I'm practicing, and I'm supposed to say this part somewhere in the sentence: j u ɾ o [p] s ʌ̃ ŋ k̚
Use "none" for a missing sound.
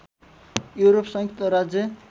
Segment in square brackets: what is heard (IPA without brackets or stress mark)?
p